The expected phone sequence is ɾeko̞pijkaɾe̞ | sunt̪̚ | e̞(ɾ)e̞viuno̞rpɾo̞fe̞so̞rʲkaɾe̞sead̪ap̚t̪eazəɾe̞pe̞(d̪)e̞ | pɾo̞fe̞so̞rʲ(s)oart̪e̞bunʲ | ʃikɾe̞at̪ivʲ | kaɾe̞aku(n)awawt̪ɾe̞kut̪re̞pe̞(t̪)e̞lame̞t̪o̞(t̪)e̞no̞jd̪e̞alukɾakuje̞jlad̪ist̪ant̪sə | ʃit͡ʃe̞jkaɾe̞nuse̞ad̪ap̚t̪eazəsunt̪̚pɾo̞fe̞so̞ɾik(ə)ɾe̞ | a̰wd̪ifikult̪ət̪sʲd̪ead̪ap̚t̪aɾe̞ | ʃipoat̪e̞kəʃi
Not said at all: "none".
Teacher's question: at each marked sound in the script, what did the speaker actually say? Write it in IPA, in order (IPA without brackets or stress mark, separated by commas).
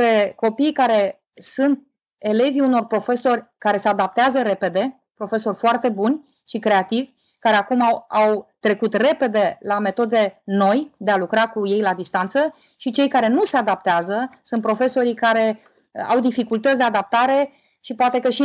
l, d̪, f, m, d̪, d̪, a